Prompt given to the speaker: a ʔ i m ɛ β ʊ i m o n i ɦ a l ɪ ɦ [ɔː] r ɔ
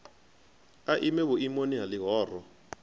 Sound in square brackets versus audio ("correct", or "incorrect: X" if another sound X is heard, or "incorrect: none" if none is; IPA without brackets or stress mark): correct